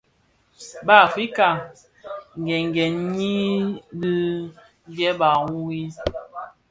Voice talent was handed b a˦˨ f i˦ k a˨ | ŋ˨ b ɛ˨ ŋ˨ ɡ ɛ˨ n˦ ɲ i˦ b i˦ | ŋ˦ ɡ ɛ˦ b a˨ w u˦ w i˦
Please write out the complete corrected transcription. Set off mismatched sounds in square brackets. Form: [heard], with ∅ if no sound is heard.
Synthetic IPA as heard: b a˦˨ f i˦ k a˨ | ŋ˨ [ɡ] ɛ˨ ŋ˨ ɡ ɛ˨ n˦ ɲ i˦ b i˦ | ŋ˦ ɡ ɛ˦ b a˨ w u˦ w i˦